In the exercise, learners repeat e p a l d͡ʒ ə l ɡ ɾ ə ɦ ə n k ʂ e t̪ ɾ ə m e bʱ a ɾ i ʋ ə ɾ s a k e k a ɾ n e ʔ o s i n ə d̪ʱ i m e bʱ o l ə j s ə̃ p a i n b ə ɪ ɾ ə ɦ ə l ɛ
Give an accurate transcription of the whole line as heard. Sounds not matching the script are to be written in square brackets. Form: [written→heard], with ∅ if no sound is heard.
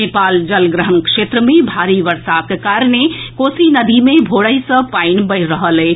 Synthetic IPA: e p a l d͡ʒ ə l ɡ ɾ ə ɦ ə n k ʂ e t̪ ɾ ə m e bʱ a ɾ i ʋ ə ɾ s a k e k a ɾ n e [ʔ→k] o s i n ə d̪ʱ i m e bʱ o [l→ɽ] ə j s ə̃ p a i n b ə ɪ ɾ ə ɦ ə l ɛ

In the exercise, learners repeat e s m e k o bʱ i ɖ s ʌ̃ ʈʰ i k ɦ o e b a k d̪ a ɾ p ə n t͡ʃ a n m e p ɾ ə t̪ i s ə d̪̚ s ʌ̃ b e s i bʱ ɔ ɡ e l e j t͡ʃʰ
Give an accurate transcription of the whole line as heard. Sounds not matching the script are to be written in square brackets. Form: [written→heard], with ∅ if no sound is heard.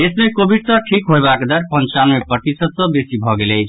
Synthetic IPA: e s m e k o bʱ i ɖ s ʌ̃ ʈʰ i k ɦ o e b a k d̪ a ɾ p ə n t͡ʃ a n m e p ɾ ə t̪ i s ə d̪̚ s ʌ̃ b e s i bʱ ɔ ɡ e l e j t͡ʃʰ

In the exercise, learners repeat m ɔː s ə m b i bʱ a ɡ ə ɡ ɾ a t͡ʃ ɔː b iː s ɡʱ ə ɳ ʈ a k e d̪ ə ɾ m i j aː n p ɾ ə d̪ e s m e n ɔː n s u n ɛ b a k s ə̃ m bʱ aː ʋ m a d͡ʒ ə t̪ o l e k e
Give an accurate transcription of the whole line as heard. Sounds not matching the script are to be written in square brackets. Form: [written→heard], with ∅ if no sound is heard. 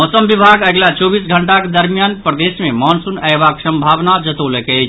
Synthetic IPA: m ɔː s ə m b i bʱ a ɡ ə ɡ [ɾ→l] a t͡ʃ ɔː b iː s ɡʱ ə ɳ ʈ a k e d̪ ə ɾ m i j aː n p ɾ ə d̪ e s m e [n→m] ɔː n s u n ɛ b a k s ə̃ m bʱ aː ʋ [m→n] a d͡ʒ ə t̪ o l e k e

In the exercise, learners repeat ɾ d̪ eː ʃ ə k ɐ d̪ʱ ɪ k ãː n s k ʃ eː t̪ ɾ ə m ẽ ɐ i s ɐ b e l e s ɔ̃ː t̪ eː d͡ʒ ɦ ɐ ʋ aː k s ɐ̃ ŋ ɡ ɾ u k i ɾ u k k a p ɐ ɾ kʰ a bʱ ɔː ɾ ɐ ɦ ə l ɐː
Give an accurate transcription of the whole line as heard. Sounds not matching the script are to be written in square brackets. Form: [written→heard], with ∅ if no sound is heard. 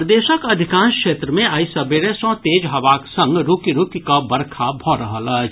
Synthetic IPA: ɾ d̪ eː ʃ ə k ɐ d̪ʱ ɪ k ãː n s k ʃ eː t̪ ɾ ə m ẽ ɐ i s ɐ b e [l→ɾ] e s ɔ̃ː t̪ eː d͡ʒ ɦ ɐ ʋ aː k s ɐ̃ ŋ ɡ ɾ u k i ɾ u k k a [p→b] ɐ ɾ kʰ a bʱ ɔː ɾ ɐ ɦ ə l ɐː

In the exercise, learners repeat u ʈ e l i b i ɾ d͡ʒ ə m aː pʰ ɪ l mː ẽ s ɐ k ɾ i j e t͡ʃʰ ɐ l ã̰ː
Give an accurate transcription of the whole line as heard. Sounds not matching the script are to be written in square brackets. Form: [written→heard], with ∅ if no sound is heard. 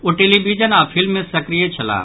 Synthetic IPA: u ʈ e l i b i [ɾ→∅] d͡ʒ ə [m→n] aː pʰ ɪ l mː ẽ s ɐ k ɾ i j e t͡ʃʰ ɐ l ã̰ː

